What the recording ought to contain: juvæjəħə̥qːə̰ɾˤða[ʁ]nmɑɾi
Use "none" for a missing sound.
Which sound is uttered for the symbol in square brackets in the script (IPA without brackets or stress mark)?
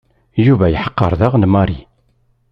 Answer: ʁ